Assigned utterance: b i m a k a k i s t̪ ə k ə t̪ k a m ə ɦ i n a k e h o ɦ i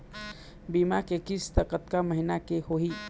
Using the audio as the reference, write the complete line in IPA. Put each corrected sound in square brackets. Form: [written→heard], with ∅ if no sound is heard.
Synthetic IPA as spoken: b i m a k [a→e] k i s t̪ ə k ə t̪ k a m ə ɦ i n a k e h o ɦ i